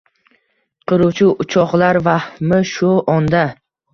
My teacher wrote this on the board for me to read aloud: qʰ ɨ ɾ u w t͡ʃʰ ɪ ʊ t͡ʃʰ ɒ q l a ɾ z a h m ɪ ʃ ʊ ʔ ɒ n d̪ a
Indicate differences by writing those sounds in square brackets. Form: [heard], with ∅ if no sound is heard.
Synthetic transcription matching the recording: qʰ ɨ ɾ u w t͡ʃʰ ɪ ʊ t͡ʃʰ ɒ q l a ɾ [v] a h m ɪ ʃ ʊ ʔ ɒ n d̪ a